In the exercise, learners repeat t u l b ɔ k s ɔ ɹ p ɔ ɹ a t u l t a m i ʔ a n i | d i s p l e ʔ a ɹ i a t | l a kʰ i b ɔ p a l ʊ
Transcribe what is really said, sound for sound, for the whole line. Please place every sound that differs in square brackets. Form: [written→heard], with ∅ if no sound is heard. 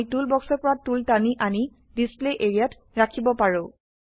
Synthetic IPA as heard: t u l b ɔ k s ɔ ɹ p ɔ ɹ a t u l t a [m→n] i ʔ a n i | d i s p l e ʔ [a→e] ɹ i a t | [l→ɹ] a kʰ i b ɔ p a [l→ɹ] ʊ

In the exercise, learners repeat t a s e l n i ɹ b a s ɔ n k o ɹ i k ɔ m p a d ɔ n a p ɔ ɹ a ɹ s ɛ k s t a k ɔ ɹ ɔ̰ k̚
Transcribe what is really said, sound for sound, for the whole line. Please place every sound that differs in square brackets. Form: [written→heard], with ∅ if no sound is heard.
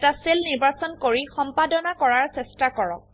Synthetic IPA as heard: t a s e l n i ɹ b a s ɔ n k o ɹ i [k→x] ɔ m p a d ɔ n a [p→k] ɔ ɹ a ɹ s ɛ [k→∅] s t a k ɔ ɹ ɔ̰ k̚

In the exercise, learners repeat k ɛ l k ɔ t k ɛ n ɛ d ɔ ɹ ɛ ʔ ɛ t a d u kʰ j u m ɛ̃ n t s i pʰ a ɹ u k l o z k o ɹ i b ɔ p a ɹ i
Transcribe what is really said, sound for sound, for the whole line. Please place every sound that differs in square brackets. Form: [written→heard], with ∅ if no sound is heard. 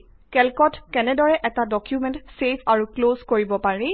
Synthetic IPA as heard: k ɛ l k ɔ t k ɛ n ɛ d ɔ ɹ ɛ ʔ ɛ t a d [u→ɔ] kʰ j u m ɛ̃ n t s [i→e] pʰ a ɹ u k l o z k o ɹ i b ɔ p a ɹ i

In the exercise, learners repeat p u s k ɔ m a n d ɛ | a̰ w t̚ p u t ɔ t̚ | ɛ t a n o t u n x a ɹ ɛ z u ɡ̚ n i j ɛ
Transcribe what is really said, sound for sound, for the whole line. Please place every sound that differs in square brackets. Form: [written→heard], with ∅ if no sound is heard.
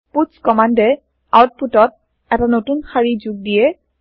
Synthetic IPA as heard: p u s k ɔ m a n d ɛ | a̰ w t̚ p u t ɔ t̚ | ɛ t a n o t u n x a ɹ [ɛ→i] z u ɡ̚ [n→d] i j ɛ

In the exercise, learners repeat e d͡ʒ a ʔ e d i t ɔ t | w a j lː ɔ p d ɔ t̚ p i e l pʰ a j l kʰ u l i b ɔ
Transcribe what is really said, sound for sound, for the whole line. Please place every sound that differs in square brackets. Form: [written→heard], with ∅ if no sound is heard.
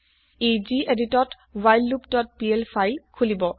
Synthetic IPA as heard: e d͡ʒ [a→i] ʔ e d i t ɔ t | w a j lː [ɔ→u] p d ɔ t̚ p i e l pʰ a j l kʰ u l i b ɔ

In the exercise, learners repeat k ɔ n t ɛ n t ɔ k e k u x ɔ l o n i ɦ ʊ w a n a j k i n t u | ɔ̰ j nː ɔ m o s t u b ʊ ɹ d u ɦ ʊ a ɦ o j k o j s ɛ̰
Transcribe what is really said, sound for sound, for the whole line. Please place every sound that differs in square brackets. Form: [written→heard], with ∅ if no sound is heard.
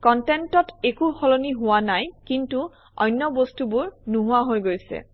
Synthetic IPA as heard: k ɔ n t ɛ n t ɔ [k→t] e k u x ɔ l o n i ɦ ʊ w a n a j k i n t u | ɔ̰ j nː ɔ [m→b] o s t u b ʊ ɹ [d→n] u ɦ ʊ a ɦ o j [k→ɡ] o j s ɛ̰

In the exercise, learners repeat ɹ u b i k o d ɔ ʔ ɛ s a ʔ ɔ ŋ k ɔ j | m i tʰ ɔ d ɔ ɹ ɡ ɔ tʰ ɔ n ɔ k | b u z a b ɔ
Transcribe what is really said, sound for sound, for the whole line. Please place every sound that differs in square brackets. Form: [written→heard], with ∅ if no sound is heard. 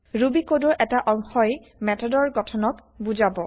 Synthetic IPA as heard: ɹ u b i k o d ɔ ʔ ɛ [s→t] a ʔ ɔ ŋ [k→x] ɔ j | m [i→ɛ] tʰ ɔ d ɔ ɹ ɡ ɔ tʰ ɔ n ɔ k | b u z a b ɔ

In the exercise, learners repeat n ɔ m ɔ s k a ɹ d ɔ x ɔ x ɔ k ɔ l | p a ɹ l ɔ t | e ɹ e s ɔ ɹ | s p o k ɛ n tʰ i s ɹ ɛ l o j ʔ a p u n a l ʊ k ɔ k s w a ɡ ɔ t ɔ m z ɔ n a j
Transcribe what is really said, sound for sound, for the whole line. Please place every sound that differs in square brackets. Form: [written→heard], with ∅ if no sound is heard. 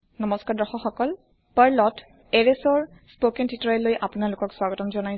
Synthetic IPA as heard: n ɔ m ɔ s k a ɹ d ɔ x ɔ x ɔ k ɔ l | p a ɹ l ɔ t | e ɹ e s ɔ ɹ | s p o k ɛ n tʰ i [s→t] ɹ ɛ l o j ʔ a p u n a l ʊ k ɔ k s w a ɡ ɔ t ɔ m z ɔ n a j

